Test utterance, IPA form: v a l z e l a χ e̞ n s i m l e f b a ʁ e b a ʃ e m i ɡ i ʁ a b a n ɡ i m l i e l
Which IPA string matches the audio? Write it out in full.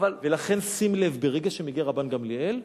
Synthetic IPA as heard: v a l v e l a χ e̞ n s i m l e v b e ʁ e ɡ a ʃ e m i ɡ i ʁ a b a n ɡ a m l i e l